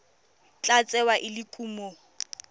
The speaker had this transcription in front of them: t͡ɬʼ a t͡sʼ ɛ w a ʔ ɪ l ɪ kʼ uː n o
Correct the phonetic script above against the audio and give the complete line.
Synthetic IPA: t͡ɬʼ a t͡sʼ ɛ w a ʔ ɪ l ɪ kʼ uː m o